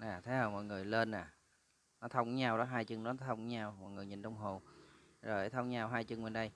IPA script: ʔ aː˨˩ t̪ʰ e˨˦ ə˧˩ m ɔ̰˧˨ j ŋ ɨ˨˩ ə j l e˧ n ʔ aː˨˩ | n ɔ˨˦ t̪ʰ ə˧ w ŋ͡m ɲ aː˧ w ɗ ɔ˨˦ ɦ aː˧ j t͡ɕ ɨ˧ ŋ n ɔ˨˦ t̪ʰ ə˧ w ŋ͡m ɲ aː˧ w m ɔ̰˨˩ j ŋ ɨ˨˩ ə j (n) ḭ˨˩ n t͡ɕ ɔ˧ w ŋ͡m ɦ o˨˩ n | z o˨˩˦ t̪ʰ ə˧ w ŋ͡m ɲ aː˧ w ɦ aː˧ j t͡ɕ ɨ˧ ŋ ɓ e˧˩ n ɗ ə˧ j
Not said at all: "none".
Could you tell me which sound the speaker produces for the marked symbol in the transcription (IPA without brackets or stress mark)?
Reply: ɲ